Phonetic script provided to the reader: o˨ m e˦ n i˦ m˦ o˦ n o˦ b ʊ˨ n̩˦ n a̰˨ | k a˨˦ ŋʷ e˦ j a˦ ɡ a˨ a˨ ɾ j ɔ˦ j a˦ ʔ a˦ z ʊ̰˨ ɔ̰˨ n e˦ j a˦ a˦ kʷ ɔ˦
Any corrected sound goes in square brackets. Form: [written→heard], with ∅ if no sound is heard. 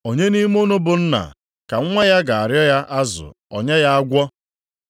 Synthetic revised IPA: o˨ [m→ɲ] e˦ n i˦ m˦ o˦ n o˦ b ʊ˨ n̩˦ n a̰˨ | k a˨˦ ŋʷ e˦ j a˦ ɡ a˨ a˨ ɾ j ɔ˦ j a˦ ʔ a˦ z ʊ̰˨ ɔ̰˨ [n→ɲ] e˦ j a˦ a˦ [kʷ→ɡʷ] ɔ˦